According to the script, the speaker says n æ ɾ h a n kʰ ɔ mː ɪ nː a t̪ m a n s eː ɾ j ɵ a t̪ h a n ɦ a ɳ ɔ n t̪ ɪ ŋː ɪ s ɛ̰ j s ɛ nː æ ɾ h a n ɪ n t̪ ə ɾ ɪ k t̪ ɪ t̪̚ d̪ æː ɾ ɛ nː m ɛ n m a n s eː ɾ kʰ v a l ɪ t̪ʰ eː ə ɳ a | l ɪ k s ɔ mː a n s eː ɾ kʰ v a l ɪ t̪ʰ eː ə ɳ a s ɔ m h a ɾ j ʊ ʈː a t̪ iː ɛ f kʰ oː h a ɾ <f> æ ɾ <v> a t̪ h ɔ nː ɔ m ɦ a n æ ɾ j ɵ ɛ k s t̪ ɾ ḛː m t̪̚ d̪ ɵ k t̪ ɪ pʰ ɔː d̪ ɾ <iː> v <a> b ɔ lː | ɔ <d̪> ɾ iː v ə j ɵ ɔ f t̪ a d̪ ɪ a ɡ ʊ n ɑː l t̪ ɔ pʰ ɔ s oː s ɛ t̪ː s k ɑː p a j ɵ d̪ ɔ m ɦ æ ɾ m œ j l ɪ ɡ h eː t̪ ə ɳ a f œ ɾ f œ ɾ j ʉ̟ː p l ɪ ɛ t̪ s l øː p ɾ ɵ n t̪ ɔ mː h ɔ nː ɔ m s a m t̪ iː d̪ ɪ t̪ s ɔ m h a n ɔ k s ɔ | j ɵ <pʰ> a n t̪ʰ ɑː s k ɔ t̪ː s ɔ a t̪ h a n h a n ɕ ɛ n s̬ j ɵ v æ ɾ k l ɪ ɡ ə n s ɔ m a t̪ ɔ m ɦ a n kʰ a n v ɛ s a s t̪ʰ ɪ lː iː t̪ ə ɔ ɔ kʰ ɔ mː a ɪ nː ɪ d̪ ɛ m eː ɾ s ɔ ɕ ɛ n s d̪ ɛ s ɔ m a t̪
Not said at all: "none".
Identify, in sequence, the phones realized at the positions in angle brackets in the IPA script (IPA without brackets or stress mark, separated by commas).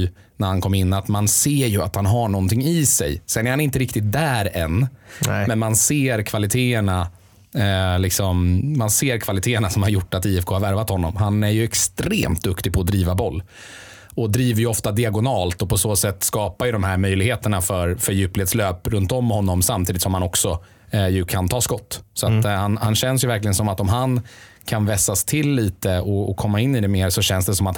v, v, iː, a, d̪, kʰ